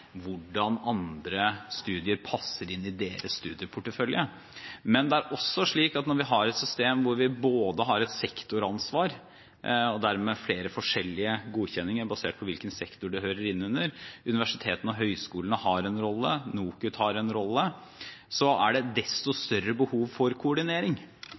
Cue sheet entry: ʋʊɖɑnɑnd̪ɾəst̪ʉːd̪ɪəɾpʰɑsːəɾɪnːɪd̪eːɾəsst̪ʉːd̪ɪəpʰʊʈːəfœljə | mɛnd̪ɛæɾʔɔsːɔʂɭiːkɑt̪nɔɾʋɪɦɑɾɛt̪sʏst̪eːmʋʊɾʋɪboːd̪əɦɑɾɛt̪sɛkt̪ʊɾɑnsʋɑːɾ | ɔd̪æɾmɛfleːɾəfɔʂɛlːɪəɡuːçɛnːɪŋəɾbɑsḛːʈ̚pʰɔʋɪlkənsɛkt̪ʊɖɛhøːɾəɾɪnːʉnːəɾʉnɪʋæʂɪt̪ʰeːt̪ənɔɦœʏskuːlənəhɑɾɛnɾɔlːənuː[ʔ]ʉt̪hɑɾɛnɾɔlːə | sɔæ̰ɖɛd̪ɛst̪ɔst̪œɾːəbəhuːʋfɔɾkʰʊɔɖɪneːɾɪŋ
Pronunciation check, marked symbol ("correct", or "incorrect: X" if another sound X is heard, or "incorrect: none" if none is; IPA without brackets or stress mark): incorrect: k